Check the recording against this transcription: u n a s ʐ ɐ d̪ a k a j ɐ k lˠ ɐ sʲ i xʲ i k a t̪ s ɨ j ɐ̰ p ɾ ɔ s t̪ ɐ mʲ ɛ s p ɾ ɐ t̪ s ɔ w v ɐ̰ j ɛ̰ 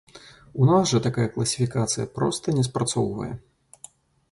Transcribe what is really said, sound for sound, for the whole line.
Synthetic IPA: u n a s ʐ ɐ t̪ a k a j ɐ k lˠ ɐ sʲ i fʲ i k a t̪ s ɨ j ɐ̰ p ɾ ɔ s t̪ ɐ nʲ ɛ s p ɾ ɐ t̪ s ɔ w v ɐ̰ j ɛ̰